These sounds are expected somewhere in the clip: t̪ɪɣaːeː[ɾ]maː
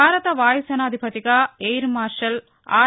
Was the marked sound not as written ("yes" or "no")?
no